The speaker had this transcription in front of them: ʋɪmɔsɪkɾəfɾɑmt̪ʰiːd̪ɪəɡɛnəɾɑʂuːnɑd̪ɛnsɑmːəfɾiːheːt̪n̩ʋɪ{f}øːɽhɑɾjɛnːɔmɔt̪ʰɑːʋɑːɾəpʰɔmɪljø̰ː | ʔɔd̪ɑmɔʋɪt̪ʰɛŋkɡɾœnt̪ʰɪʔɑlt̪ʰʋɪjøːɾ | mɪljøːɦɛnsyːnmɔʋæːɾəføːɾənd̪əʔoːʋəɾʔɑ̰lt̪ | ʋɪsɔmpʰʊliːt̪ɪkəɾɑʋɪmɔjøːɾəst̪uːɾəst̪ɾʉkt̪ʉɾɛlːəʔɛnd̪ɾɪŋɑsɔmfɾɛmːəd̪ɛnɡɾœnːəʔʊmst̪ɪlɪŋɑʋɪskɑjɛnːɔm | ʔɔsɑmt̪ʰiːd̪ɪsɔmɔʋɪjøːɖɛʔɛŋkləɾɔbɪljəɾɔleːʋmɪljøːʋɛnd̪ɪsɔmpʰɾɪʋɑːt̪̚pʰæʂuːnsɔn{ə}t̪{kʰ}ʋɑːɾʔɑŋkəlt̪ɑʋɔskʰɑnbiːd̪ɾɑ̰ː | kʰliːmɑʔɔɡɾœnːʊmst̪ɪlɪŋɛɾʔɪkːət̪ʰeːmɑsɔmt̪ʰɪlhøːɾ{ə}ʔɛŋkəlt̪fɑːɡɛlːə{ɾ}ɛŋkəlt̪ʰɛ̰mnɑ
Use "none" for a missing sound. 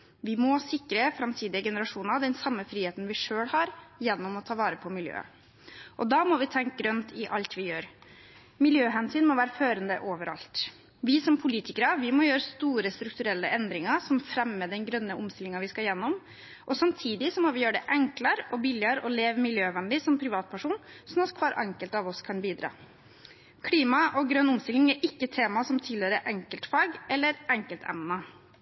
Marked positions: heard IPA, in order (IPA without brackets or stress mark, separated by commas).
ʂ, ɑ, kʰ, ə, ɾ